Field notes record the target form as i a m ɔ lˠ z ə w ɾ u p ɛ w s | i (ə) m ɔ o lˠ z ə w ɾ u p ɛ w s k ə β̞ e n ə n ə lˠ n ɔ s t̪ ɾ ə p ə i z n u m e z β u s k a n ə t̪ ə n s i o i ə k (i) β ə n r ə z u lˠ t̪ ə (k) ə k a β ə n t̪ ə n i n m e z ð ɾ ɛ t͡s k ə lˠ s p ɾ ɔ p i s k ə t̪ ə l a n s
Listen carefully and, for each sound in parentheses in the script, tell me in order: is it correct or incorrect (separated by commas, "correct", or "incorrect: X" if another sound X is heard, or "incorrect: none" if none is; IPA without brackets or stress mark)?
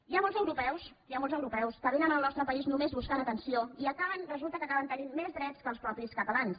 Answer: incorrect: a, incorrect: a, correct